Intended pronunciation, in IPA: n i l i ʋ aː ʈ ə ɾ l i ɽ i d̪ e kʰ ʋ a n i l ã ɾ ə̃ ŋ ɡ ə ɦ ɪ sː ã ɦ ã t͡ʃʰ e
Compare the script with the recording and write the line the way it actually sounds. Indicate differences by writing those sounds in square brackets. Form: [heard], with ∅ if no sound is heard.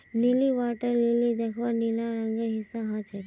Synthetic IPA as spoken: n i l i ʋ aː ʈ ə ɾ l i [l] i d̪ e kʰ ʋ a n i l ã ɾ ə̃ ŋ ɡ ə ɦ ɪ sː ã ɦ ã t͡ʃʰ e